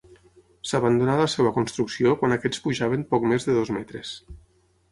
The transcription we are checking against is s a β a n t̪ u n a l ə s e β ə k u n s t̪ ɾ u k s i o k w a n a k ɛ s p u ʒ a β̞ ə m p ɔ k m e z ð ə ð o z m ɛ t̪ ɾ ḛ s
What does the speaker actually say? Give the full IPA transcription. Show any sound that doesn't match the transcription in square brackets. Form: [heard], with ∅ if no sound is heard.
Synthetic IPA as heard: s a β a n [d̪] u n a l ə s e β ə k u n s t̪ ɾ u k s i o k w a n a k ɛ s p u ʒ a β̞ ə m p ɔ k m e z ð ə ð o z m ɛ t̪ ɾ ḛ s